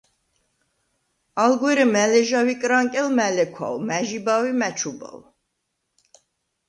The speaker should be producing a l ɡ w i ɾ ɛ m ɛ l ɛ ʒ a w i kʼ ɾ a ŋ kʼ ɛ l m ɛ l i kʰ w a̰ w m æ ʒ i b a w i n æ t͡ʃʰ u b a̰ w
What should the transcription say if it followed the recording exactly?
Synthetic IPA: a l ɡ w ɛ ɾ ɛ m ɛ l ɛ ʒ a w i kʼ ɾ a ŋ kʼ ɛ l m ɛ l ɛ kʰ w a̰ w m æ ʒ i b a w i m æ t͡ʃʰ u b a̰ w